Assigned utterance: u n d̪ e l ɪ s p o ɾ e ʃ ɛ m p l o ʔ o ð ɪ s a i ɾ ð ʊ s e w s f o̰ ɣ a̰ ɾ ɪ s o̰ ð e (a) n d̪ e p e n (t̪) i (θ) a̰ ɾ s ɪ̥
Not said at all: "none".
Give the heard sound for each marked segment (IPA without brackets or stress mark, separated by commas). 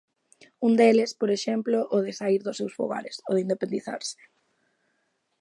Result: i, d̪, θ